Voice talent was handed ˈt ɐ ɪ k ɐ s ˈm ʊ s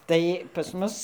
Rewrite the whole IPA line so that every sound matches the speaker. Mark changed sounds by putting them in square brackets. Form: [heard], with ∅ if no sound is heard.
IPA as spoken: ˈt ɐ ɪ [p] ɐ s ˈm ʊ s